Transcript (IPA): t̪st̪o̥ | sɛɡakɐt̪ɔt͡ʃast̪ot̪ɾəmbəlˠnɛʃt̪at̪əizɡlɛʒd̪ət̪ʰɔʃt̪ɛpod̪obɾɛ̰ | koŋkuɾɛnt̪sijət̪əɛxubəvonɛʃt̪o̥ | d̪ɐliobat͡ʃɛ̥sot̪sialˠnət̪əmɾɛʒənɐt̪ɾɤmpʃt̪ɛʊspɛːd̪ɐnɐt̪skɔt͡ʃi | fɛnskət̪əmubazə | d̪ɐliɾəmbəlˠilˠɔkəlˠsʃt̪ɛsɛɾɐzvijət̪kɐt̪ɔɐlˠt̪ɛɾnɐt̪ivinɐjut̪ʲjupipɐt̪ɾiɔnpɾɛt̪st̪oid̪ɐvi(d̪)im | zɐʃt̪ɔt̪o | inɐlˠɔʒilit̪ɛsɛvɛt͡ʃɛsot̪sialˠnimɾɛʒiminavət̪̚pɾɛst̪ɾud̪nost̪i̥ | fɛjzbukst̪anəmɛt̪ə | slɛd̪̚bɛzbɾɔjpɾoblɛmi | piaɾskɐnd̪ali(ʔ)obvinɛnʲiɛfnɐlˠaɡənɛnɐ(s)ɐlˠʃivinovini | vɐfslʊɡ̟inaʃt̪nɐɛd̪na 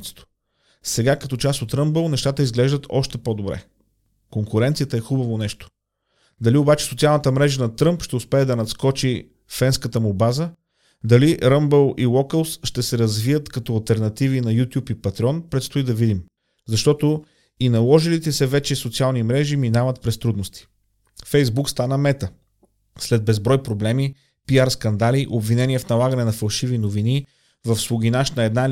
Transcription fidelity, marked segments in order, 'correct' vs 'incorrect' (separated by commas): correct, correct, incorrect